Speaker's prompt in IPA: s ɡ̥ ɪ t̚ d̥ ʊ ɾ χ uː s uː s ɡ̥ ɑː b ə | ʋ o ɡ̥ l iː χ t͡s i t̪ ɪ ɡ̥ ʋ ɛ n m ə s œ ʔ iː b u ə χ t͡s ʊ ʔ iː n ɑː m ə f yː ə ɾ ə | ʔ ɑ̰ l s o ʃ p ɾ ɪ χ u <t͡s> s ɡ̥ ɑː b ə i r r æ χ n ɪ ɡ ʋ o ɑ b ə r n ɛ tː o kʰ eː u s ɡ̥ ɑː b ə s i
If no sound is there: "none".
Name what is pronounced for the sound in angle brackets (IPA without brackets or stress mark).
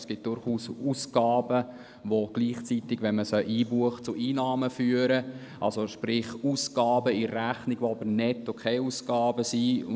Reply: none